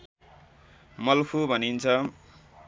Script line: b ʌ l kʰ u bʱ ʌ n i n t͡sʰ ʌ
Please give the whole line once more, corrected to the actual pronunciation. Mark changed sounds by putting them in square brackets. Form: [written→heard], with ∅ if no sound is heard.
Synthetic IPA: [b→m] ʌ l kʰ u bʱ ʌ n i n t͡sʰ ʌ